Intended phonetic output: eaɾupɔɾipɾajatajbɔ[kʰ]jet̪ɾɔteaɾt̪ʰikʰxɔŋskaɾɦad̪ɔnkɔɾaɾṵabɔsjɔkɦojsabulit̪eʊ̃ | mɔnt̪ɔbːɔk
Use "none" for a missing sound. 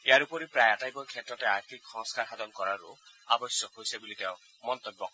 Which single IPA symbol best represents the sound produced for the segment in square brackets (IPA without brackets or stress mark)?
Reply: kʰ